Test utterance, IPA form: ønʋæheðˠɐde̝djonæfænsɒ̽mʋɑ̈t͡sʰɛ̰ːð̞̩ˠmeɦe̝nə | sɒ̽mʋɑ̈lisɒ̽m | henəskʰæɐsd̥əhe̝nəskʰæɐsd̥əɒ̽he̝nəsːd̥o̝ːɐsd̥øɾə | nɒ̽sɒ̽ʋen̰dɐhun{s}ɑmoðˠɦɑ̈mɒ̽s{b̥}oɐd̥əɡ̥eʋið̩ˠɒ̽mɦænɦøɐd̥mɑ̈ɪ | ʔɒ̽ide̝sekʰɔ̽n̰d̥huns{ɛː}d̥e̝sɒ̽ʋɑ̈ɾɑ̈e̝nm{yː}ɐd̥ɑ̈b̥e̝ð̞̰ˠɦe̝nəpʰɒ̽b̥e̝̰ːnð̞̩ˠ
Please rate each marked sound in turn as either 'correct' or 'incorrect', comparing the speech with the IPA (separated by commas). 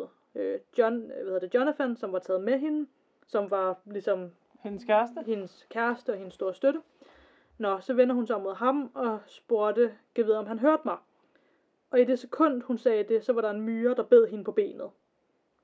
correct, correct, correct, correct